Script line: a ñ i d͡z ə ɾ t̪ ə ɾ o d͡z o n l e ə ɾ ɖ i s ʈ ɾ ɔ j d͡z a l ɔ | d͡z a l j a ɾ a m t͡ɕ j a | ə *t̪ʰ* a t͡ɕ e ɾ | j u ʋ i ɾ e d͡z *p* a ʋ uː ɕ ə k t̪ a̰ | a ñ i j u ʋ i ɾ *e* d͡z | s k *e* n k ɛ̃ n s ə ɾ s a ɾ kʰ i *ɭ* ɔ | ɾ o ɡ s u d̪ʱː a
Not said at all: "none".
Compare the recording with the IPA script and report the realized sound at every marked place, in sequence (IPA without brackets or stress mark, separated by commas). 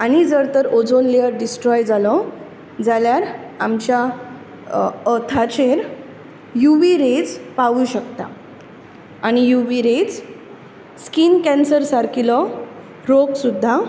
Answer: t̪ʰ, p, e, i, l